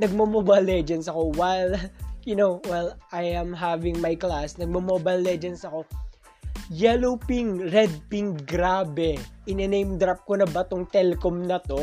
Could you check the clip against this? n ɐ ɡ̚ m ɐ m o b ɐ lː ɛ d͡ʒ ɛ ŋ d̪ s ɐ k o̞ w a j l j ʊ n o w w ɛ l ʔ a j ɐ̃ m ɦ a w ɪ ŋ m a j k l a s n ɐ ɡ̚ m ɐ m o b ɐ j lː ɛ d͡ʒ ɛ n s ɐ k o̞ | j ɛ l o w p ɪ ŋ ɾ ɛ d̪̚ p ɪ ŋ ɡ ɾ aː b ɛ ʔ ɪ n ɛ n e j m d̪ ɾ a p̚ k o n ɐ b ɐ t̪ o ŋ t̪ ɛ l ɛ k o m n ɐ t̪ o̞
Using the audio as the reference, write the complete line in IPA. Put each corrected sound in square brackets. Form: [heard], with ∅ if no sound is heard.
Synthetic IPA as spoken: n ɐ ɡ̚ m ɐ m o b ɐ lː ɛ d͡ʒ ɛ [n] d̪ s ɐ k o̞ w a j l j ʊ n o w w ɛ l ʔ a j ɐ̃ m ɦ a [v] ɪ ŋ m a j k l a s n ɐ ɡ̚ m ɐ m o b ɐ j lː ɛ d͡ʒ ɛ n s ɐ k o̞ | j ɛ l o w p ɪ ŋ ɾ ɛ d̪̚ p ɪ ŋ ɡ ɾ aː b ɛ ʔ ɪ n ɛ n e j m d̪ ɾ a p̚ k o n ɐ b ɐ t̪ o ŋ t̪ ɛ l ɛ k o m n ɐ t̪ o̞